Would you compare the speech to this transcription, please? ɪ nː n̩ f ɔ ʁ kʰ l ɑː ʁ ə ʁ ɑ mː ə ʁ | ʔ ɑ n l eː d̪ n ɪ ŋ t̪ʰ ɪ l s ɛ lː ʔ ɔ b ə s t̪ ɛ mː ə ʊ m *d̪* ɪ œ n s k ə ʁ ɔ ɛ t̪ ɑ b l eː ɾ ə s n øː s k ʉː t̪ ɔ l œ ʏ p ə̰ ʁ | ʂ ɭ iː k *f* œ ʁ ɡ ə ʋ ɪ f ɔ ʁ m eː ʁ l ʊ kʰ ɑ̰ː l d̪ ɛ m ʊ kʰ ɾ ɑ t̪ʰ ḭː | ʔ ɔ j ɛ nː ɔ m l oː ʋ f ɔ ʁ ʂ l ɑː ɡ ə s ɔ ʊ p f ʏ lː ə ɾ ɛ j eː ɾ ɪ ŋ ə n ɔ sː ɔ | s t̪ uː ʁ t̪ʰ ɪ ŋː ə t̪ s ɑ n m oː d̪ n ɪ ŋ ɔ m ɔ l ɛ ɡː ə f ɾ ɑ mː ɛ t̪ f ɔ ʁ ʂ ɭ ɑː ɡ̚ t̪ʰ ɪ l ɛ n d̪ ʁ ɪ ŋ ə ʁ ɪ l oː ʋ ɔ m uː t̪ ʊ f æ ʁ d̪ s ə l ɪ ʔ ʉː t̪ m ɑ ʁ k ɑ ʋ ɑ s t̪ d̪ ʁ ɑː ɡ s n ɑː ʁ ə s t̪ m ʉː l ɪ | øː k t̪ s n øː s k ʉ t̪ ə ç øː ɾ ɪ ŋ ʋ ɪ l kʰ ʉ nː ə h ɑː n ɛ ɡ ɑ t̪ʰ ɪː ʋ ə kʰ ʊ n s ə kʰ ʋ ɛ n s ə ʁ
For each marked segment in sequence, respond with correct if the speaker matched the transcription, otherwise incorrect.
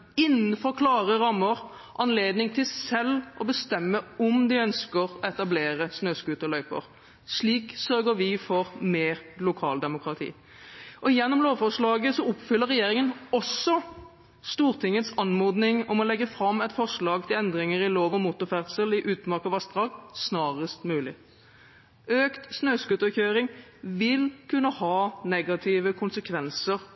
correct, incorrect

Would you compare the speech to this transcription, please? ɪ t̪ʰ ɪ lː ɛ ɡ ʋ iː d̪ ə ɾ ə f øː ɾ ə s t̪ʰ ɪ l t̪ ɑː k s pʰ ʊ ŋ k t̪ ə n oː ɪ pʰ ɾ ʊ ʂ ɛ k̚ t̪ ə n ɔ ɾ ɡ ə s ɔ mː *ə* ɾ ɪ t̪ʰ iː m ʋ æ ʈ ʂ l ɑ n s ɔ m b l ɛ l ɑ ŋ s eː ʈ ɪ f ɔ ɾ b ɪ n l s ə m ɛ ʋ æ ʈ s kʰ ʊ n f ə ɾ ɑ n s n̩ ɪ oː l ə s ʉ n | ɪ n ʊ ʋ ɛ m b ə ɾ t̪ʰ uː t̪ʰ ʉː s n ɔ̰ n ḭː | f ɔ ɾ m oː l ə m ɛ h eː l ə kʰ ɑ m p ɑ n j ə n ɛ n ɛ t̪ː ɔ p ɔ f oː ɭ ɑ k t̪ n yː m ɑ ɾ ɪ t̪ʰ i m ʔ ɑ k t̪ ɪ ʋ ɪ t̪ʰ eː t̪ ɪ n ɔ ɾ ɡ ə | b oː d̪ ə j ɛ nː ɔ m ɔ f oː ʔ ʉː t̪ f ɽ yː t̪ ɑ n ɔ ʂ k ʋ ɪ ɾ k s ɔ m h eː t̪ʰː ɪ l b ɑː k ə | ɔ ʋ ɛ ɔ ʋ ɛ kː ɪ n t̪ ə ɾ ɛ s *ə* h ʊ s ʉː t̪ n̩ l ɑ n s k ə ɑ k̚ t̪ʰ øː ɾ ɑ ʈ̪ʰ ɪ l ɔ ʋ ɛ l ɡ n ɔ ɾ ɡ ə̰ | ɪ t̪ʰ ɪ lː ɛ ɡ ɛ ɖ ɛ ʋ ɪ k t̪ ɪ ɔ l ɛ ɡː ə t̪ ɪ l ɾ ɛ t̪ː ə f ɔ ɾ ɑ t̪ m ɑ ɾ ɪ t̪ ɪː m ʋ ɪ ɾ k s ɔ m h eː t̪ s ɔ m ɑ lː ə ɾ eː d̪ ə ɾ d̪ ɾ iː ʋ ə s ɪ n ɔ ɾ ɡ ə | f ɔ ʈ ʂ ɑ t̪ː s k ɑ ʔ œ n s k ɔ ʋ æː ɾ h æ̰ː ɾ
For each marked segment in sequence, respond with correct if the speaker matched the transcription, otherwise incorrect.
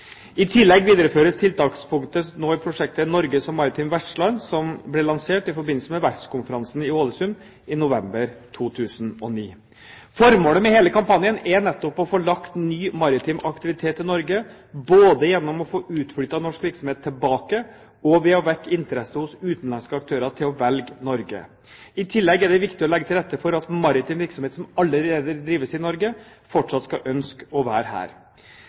incorrect, correct

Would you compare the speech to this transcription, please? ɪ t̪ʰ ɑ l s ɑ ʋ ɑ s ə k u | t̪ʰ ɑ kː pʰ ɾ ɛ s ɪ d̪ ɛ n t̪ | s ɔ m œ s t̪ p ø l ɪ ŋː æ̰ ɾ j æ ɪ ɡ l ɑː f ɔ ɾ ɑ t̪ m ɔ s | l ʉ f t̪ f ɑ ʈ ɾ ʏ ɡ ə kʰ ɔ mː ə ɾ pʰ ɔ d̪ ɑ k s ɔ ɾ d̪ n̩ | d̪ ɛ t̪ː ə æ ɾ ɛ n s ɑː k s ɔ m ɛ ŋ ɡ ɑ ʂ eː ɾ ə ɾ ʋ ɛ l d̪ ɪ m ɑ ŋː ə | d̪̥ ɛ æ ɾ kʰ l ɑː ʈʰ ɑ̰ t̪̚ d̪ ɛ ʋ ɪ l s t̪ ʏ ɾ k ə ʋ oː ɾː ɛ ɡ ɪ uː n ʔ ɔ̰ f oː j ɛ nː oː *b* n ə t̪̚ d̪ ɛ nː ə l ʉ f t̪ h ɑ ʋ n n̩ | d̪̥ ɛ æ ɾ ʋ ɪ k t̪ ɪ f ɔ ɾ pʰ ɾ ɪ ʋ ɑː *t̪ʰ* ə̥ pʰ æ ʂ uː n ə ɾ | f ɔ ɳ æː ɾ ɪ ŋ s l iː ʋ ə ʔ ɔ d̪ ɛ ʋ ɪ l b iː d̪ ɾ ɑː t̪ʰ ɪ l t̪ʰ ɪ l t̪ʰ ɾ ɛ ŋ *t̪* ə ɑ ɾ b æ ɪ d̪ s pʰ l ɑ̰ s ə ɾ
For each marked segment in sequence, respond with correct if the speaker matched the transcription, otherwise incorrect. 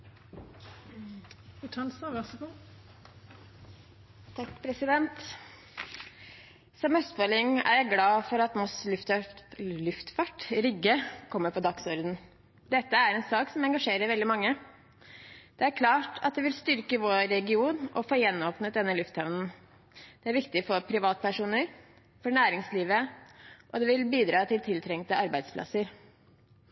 incorrect, incorrect, correct

